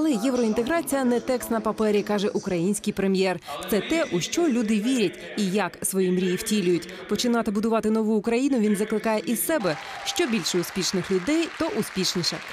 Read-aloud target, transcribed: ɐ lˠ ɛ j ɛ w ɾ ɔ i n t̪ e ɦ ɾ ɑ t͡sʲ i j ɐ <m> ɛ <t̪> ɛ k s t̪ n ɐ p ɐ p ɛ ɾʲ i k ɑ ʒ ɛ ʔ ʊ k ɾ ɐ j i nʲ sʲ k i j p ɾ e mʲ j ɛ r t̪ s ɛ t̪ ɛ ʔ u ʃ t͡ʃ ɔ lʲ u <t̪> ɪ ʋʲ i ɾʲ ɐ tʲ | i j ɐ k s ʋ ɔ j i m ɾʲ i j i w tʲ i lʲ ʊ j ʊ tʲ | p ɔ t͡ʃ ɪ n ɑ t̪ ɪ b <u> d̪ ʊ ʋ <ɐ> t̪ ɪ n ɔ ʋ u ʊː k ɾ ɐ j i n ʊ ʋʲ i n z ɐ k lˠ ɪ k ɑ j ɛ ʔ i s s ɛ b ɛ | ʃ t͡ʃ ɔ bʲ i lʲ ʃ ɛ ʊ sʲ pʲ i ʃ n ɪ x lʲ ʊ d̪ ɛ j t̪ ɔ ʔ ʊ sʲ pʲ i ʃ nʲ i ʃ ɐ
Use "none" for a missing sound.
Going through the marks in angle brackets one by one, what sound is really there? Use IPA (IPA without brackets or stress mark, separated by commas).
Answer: n, t̪, d̪, ʊ, ɑ